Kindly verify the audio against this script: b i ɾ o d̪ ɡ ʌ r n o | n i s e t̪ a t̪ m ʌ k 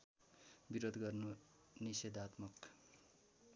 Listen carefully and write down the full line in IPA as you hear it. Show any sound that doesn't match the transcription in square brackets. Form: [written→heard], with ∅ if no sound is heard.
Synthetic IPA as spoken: b i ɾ o d̪ ɡ ʌ r n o | n i s e [t̪→d̪] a t̪ m ʌ k